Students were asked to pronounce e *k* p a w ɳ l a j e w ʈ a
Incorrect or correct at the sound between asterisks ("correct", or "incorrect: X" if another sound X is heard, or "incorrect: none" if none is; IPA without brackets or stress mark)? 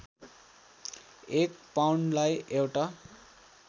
correct